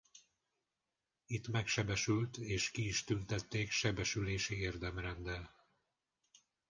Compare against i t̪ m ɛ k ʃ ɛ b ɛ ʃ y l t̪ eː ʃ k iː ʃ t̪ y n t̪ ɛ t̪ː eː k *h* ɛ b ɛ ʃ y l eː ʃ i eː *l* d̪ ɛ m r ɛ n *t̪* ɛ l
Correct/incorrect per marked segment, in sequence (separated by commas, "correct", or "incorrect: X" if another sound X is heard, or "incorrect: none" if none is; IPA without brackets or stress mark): incorrect: ʃ, incorrect: r, incorrect: d̪